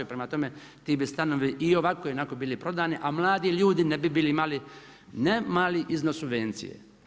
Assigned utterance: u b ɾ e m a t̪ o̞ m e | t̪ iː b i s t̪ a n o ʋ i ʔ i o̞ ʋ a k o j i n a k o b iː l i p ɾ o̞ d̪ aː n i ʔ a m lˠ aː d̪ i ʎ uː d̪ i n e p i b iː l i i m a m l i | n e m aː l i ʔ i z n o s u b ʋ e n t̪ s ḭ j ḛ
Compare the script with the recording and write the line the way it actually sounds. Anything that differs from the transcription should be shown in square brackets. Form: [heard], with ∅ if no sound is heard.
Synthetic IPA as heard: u [p] ɾ e m a t̪ o̞ m e | t̪ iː b i s t̪ a n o ʋ i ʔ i o̞ ʋ a k o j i n a k o b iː l i p ɾ o̞ d̪ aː n i ʔ a m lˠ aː d̪ i ʎ uː d̪ i n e [b] i b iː l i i m a [∅] l i | n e m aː l i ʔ i z n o s u b ʋ e n t̪ s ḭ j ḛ

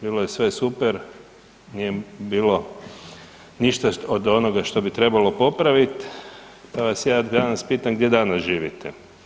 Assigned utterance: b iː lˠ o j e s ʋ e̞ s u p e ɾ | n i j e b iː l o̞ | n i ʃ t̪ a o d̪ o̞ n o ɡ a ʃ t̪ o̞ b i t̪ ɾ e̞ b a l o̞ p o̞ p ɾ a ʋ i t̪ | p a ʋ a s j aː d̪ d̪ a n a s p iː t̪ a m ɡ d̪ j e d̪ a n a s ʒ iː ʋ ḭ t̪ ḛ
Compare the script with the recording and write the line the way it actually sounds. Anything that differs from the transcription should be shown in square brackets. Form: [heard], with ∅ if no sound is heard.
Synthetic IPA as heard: b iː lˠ o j e s ʋ e̞ s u p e ɾ | n i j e b iː l o̞ | n i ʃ t̪ a o d̪ o̞ n o ɡ a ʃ t̪ o̞ b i t̪ ɾ e̞ b a l o̞ p o̞ p ɾ a ʋ i t̪ | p a ʋ a s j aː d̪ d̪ a n a s p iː t̪ a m ɡ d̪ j e d̪ a n a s ʒ iː ʋ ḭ t̪ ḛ

